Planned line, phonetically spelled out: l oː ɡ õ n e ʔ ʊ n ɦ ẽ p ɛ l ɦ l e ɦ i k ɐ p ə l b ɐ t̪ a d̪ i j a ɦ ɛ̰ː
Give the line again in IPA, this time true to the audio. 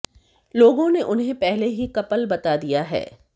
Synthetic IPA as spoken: l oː ɡ õ n e ʔ ʊ n ɦ ẽ p ɛ ɦ l e ɦ i k ɐ p ə l b ɐ t̪ a d̪ i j a ɦ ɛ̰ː

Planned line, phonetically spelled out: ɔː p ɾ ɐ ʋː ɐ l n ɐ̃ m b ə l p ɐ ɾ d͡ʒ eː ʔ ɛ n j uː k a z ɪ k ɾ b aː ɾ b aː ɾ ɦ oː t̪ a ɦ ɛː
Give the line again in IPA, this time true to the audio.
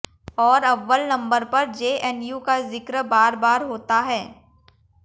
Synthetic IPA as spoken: ɔː ɾ ɐ ʋː ə l n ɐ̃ m b ə ɾ p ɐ ɾ d͡ʒ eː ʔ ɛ n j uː k a z ɪ k ɾ b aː ɾ b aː ɾ ɦ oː t̪ a ɦ ɛː

